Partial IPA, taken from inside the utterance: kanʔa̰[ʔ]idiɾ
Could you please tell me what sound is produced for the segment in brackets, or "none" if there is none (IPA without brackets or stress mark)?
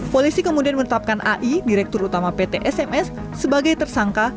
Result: ʔ